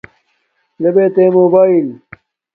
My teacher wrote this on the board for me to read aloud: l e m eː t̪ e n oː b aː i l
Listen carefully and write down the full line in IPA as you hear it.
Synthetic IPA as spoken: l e b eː t̪ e m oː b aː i l